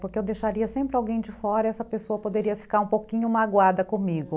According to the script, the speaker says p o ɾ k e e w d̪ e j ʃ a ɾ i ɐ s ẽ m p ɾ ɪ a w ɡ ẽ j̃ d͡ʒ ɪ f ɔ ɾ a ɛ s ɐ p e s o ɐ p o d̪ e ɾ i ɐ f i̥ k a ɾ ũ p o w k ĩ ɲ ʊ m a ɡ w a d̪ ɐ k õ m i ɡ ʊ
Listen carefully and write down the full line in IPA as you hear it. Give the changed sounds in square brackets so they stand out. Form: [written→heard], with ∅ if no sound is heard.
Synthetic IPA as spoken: p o ɾ k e e w d̪ e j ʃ a ɾ i ɐ s ẽ m p ɾ ɪ a w ɡ ẽ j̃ d͡ʒ ɪ f ɔ ɾ [a→ɐ] ɛ s ɐ p e s o ɐ p o d̪ e ɾ i ɐ f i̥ k a ɾ ũ p o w k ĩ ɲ ʊ m a ɡ w a d̪ ɐ k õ m i ɡ ʊ